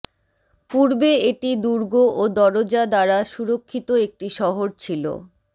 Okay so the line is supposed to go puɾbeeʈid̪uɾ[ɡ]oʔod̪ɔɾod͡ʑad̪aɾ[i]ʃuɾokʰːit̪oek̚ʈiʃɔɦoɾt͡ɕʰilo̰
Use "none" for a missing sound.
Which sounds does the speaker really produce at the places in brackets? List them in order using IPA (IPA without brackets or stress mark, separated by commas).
ɡ, a